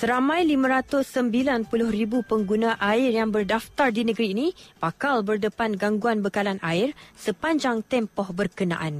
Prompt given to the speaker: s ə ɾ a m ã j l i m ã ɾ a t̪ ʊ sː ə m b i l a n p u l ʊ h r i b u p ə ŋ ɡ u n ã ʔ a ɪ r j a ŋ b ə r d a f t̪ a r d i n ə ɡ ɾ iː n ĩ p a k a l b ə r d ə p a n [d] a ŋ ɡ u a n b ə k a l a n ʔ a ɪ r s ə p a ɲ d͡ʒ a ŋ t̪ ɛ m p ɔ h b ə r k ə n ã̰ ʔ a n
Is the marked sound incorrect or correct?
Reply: incorrect